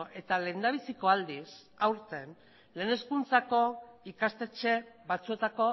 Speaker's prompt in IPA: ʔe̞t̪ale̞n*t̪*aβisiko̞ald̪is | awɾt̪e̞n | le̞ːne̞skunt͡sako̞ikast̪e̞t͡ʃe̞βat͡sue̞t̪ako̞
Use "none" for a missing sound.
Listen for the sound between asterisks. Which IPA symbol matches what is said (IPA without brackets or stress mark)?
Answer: d̪